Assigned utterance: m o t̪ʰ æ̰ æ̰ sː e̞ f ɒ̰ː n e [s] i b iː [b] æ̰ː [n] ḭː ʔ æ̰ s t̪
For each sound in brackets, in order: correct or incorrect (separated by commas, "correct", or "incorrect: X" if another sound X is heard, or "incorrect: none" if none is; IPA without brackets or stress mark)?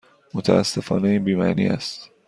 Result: incorrect: none, incorrect: m, correct